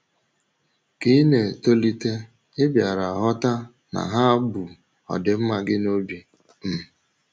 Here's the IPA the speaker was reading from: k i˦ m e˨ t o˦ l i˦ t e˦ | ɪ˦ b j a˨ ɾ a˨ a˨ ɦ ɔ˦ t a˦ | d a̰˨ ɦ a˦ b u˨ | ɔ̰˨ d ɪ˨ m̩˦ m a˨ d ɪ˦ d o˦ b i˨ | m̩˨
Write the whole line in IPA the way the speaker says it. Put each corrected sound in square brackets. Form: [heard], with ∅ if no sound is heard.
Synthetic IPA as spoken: k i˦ [n] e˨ t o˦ l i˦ t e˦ | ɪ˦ b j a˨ ɾ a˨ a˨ ɦ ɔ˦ t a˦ | [n] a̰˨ ɦ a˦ b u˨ | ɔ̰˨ d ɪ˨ m̩˦ m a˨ [ɡ] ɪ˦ [n] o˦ b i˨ | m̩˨